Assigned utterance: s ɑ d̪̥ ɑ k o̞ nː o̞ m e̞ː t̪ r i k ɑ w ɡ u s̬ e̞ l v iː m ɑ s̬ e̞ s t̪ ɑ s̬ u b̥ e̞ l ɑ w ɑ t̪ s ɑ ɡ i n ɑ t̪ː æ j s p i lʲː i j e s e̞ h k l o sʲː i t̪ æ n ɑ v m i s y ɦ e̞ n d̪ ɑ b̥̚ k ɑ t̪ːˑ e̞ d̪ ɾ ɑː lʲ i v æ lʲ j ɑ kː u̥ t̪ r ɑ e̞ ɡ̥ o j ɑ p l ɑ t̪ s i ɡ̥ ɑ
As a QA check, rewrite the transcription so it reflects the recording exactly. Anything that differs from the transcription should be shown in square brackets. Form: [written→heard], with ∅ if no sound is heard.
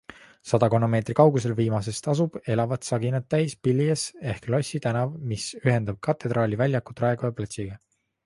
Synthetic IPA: s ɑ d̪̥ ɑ k o̞ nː o̞ m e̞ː t̪ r i k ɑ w ɡ u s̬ e̞ l v iː m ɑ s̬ e̞ s t̪ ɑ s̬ u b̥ e̞ l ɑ [w→v] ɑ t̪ s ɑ ɡ i n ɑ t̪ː æ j s p i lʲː i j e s e̞ h k l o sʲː i t̪ æ n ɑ v m i s y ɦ e̞ n d̪ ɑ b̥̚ k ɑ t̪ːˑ e̞ d̪ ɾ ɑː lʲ i v æ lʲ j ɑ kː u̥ t̪ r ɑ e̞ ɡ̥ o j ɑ p l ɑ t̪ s i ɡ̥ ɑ